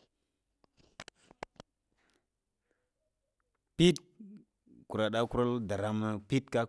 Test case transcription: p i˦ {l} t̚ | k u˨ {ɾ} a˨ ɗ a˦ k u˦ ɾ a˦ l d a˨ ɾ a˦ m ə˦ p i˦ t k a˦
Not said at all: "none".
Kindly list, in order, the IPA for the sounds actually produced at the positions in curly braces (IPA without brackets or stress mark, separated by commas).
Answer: none, ɾ